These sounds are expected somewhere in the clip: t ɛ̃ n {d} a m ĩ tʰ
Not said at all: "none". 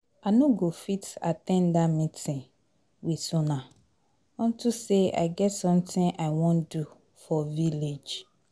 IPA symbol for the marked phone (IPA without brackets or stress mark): d